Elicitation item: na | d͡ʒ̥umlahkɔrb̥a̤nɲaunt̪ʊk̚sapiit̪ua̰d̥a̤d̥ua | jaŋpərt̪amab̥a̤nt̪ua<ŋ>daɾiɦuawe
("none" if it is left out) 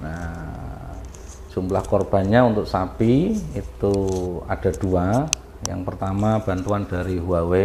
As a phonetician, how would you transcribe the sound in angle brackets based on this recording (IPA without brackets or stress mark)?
n